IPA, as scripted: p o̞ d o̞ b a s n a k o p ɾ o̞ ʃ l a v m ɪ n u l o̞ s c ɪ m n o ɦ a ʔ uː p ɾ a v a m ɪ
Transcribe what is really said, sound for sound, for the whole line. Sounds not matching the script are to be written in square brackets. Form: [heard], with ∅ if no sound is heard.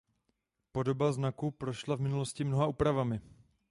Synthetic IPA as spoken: p o̞ d o̞ b a [z] n a k [u] p ɾ o̞ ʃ l a v m ɪ n u l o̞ s c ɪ m n o ɦ a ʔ uː p ɾ a v a m ɪ